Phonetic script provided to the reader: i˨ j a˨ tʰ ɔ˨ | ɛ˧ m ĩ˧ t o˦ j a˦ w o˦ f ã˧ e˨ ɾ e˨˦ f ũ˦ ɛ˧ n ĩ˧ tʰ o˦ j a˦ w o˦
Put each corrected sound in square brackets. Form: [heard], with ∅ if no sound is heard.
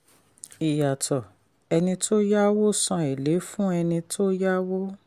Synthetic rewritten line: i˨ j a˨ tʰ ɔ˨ | ɛ˧ [n] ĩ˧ t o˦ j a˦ w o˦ [s] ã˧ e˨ [l] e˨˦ f ũ˦ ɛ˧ n ĩ˧ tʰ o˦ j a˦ w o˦